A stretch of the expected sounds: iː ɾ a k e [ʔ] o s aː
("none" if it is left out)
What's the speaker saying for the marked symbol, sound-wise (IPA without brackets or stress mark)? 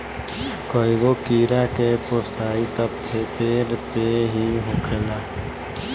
p